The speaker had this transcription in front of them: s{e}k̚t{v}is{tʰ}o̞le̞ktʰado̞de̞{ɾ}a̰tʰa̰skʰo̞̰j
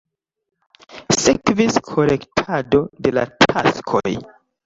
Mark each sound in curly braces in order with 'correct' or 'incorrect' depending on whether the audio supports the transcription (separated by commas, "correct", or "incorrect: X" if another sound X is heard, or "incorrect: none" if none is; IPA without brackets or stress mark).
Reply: correct, correct, incorrect: kʰ, incorrect: l